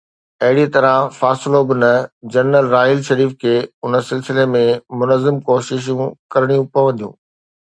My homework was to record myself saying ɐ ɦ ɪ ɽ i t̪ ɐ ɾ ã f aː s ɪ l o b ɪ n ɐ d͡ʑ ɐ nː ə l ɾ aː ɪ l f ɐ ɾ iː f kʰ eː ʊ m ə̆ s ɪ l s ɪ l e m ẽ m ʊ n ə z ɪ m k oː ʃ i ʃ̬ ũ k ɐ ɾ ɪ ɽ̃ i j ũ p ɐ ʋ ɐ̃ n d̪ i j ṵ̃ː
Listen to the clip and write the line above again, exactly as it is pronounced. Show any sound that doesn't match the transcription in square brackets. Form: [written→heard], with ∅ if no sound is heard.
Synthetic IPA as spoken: ɐ ɦ ɪ ɽ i t̪ ɐ ɾ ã f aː s ɪ l o b ɪ n ɐ d͡ʑ ɐ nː ə l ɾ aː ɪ l [f→ʃ] ɐ ɾ iː f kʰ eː ʊ [m→n] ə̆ s ɪ l s ɪ l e m ẽ m ʊ n ə z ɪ m k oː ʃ [i→ɪ] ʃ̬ ũ k ɐ ɾ ɪ ɽ̃ i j ũ p ɐ ʋ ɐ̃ n d̪ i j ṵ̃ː